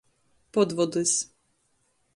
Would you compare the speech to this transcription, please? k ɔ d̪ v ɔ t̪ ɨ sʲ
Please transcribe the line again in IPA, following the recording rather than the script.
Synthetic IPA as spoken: p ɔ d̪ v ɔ d̪ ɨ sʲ